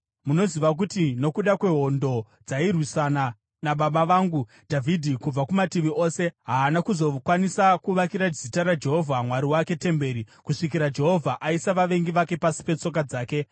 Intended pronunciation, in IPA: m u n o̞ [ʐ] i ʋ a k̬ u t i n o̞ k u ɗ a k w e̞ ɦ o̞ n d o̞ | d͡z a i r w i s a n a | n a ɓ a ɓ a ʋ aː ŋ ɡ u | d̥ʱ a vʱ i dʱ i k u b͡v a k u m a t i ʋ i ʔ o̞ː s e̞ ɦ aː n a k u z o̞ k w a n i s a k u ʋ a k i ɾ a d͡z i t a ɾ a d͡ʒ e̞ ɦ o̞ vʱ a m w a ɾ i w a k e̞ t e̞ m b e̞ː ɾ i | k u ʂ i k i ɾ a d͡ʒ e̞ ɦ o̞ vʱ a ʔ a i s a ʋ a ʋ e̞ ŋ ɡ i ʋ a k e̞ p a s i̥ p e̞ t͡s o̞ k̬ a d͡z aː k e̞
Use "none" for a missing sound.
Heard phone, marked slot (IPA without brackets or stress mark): z